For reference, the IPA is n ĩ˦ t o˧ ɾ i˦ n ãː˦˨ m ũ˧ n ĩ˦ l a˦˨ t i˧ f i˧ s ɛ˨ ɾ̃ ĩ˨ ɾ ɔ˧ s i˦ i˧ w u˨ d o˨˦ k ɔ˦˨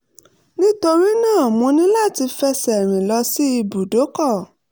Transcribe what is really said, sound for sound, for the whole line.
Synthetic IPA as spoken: n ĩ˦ t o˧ ɾ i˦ n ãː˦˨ m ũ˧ n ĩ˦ l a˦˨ t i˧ f ɛ˧ s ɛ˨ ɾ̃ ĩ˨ l ɔ˧ s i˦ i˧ b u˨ d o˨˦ k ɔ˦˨